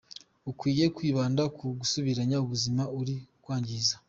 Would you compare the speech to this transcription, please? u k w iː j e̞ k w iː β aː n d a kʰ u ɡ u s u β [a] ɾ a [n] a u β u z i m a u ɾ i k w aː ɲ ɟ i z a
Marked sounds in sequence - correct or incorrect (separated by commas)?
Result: incorrect, incorrect